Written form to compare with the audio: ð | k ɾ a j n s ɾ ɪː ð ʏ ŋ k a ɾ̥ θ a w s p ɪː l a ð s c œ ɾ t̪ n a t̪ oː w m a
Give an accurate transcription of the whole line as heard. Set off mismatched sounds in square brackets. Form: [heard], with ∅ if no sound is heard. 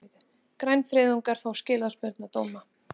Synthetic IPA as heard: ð | k ɾ a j n [f] ɾ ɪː ð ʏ ŋ k a ɾ̥ [f] a w s [c] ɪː l a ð s [p] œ ɾ t̪ n a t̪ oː w m a